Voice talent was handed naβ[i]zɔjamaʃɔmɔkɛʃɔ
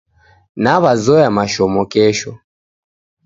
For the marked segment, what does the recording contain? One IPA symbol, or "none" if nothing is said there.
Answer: a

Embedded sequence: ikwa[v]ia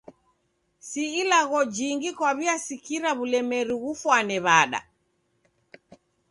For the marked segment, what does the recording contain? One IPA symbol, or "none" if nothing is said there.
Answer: β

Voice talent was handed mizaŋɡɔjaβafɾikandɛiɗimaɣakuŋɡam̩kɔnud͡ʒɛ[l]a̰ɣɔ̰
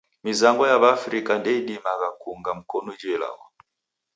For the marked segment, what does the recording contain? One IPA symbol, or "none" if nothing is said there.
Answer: l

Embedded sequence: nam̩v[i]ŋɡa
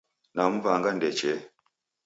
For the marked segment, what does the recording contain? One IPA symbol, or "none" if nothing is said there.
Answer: a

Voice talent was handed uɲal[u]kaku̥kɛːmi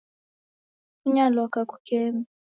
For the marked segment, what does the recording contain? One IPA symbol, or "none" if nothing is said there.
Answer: ɔ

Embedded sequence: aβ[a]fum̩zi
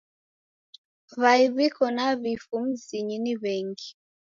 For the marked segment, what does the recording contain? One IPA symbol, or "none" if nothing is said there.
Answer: i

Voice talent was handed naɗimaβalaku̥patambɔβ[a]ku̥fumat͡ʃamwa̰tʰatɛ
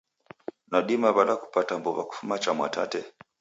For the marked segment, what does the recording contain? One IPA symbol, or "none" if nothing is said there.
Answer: a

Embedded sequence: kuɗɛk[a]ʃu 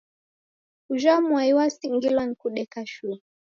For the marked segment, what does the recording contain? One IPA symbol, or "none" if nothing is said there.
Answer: a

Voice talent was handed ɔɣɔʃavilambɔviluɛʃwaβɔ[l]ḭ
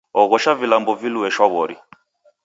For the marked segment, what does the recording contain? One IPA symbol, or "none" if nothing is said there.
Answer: ɾ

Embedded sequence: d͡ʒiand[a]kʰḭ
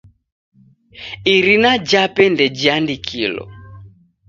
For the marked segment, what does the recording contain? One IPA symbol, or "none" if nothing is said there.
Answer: i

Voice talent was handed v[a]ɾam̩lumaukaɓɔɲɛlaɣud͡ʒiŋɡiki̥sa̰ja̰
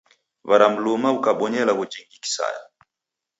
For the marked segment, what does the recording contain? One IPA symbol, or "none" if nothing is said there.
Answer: a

